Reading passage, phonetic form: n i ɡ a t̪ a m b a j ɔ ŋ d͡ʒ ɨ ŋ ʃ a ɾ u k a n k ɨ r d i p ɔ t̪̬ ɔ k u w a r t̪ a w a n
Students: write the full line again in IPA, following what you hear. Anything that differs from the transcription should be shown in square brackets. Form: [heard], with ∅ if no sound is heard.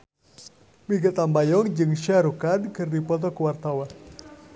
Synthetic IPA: [m] i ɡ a t̪ a m b a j ɔ ŋ d͡ʒ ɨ ŋ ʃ a ɾ u k a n k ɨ r d i p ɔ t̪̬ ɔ k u w a r t̪ a w a n